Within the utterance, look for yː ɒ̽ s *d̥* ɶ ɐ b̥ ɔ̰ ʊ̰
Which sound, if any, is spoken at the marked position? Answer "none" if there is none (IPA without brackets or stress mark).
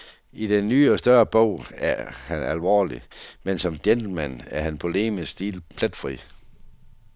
d̥